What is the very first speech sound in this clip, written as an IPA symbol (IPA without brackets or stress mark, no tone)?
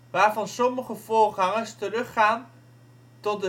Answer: ʋ